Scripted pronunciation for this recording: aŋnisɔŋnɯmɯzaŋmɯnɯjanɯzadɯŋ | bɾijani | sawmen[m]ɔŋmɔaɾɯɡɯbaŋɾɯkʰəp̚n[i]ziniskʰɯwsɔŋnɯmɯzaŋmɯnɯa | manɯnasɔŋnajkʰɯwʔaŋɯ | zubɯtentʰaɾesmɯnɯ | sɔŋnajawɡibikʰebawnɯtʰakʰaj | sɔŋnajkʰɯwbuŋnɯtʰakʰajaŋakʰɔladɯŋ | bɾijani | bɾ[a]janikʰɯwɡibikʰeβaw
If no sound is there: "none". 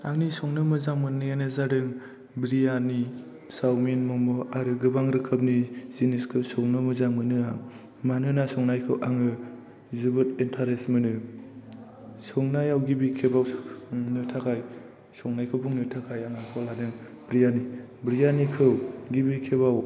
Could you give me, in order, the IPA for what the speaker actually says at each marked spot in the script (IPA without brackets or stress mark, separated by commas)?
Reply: m, i, i